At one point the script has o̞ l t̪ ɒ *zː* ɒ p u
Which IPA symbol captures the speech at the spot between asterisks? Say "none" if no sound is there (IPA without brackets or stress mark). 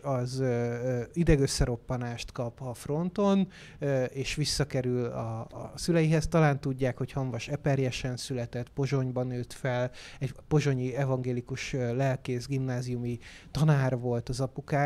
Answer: z